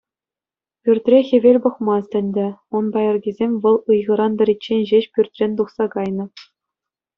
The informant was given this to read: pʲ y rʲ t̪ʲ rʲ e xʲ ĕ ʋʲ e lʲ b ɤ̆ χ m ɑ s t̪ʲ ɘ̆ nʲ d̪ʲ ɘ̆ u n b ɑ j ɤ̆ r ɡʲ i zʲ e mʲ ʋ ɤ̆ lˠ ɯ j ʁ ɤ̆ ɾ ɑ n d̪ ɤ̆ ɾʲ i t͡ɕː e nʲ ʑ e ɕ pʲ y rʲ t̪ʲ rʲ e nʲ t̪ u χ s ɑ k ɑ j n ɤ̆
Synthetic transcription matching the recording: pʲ y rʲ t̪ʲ rʲ e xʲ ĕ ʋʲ e lʲ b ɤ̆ χ m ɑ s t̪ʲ ɘ̆ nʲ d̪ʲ ɘ̆ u n b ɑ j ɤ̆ r ɡʲ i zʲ e mʲ ʋ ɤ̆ lˠ ɯ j ʁ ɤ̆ ɾ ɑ n d̪ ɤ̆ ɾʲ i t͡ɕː e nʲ ʑ e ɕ pʲ y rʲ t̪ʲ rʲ e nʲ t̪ u χ s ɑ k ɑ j n ɤ̆